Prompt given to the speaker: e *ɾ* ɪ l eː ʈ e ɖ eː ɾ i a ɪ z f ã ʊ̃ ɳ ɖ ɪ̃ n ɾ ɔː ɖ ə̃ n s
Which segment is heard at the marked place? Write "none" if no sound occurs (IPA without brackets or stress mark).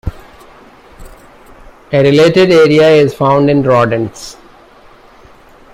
ɾ